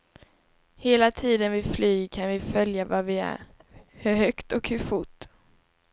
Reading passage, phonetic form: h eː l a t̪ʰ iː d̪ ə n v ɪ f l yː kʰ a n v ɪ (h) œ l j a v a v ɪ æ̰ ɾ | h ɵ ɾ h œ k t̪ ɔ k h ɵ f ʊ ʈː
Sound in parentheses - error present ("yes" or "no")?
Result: yes